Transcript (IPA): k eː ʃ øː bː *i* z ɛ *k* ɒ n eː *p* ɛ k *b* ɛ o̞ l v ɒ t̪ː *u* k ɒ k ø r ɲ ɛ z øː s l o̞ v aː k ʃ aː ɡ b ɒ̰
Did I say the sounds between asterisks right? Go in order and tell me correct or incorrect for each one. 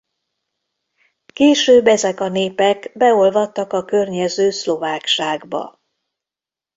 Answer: incorrect, correct, correct, correct, incorrect

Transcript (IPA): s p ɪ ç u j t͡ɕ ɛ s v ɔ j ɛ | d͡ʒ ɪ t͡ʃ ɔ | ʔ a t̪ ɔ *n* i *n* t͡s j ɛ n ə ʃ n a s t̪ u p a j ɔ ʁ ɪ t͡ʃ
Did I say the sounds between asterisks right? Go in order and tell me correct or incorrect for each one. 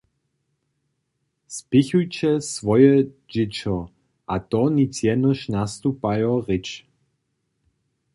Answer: correct, incorrect

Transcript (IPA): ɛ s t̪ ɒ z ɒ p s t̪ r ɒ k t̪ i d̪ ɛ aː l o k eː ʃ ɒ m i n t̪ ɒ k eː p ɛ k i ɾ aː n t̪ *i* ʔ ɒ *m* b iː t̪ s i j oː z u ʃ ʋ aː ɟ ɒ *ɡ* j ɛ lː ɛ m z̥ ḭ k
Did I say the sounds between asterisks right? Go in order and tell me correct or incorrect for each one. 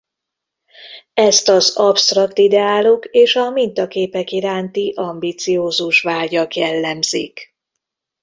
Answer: correct, correct, incorrect

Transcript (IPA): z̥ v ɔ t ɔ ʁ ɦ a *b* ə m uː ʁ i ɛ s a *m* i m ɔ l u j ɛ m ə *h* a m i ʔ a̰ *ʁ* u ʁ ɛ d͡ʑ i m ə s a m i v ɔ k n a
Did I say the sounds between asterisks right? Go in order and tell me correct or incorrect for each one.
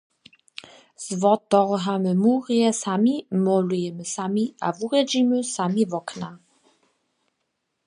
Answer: incorrect, correct, incorrect, incorrect

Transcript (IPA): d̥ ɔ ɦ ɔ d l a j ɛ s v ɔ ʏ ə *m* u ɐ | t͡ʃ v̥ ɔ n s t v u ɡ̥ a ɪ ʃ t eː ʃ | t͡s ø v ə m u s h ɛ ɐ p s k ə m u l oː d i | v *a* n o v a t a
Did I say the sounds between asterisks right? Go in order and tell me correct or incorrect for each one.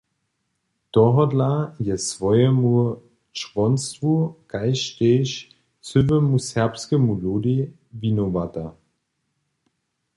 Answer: correct, incorrect

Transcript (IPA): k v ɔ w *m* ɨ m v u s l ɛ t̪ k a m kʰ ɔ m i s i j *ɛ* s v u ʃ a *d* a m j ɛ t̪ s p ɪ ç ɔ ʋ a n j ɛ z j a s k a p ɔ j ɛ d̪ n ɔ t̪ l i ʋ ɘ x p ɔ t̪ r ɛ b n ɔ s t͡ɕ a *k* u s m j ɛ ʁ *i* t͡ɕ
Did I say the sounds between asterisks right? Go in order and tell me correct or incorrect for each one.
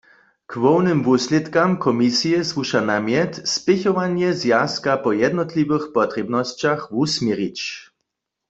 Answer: incorrect, correct, incorrect, incorrect, correct

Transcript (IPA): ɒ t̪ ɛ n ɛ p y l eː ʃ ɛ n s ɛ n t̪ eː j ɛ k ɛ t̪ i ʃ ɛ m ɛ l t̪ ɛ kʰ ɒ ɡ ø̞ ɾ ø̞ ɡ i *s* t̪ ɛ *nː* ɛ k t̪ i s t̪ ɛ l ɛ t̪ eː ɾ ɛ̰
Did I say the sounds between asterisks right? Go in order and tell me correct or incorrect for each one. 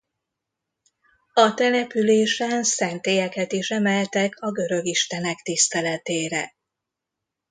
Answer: incorrect, incorrect

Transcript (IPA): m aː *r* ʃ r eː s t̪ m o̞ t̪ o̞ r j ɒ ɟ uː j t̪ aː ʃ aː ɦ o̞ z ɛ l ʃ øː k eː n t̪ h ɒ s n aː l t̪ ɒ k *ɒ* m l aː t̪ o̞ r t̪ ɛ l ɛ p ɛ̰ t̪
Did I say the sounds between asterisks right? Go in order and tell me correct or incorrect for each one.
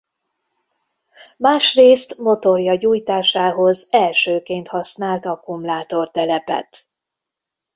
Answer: incorrect, incorrect

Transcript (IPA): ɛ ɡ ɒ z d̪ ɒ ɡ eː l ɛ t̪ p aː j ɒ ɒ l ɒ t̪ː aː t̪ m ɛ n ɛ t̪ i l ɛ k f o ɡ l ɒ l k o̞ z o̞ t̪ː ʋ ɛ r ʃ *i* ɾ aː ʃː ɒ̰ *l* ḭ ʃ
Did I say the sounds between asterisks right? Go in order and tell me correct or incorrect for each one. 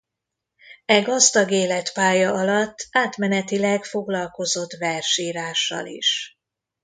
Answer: incorrect, correct

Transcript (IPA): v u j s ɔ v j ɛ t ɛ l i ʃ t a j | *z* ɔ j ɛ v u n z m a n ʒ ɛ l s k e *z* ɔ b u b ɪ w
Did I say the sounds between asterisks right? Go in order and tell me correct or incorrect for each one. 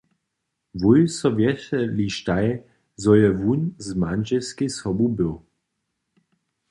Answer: correct, incorrect

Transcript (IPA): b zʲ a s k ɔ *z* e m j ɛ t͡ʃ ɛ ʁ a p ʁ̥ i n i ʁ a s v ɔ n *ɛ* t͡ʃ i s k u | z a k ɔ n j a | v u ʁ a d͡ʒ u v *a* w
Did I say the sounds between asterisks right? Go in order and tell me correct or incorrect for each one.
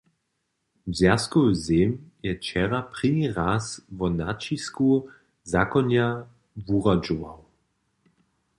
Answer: correct, incorrect, correct

